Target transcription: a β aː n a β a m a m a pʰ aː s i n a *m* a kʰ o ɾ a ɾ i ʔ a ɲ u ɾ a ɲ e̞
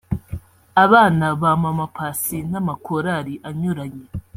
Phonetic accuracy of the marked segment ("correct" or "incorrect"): correct